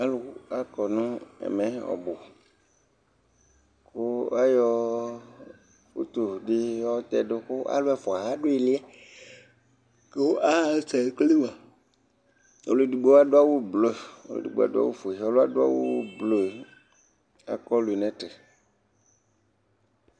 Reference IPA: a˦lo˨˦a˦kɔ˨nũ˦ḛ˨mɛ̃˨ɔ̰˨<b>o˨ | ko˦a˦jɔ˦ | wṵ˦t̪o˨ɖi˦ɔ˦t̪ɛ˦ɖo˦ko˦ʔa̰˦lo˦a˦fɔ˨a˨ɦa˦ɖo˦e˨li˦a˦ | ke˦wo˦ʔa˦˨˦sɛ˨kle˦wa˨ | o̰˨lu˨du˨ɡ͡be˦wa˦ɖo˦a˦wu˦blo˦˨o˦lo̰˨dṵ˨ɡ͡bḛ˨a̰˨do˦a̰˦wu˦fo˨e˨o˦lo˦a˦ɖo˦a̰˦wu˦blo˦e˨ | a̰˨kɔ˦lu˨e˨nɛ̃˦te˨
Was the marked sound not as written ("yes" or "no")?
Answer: no